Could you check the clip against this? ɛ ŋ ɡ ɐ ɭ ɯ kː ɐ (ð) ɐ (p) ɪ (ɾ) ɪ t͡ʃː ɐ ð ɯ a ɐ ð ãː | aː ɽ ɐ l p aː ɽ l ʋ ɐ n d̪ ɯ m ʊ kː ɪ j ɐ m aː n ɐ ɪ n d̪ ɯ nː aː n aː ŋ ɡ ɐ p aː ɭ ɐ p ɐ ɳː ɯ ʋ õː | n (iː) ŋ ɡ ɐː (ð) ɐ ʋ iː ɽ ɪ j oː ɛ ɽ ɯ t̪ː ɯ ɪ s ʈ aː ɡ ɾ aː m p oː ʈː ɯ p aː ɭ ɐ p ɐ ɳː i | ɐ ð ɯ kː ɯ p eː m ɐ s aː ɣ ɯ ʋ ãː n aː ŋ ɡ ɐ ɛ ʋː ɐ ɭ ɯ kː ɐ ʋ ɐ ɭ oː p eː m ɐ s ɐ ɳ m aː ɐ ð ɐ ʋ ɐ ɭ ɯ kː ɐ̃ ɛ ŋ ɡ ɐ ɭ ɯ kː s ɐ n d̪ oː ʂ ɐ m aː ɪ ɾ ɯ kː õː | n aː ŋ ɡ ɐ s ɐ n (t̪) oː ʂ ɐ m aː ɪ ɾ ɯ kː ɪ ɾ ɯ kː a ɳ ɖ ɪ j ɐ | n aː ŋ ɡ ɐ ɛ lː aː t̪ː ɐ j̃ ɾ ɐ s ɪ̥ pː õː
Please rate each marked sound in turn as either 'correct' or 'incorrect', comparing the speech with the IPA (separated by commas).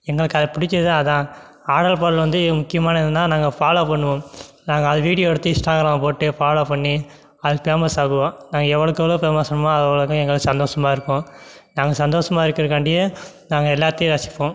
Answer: correct, correct, incorrect, incorrect, correct, incorrect